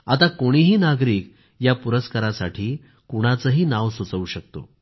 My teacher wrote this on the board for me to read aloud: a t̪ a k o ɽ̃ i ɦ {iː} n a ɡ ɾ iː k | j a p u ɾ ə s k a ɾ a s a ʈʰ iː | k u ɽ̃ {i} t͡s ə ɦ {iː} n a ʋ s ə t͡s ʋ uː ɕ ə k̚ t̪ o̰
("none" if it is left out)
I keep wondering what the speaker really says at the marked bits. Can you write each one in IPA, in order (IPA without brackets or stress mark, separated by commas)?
iː, a, iː